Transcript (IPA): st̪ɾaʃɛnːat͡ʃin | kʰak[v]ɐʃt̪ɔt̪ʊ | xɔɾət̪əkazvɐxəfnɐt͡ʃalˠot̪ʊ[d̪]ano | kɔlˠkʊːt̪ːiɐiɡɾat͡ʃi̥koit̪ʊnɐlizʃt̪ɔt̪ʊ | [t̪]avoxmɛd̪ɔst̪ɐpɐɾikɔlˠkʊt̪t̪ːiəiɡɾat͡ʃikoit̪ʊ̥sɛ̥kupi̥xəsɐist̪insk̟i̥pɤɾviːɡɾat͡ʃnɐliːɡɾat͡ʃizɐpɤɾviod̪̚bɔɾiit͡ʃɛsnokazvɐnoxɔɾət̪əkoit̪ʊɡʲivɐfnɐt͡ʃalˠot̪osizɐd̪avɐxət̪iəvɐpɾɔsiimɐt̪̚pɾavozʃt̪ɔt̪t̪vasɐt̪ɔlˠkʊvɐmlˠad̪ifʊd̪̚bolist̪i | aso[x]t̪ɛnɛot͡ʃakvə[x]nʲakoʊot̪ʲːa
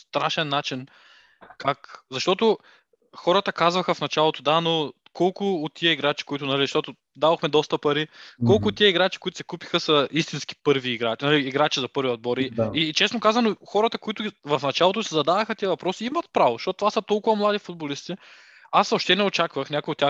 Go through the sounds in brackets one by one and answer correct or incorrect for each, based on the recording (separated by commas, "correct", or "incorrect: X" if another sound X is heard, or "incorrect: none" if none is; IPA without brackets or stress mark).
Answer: incorrect: z, correct, incorrect: d̪, incorrect: ʃ, correct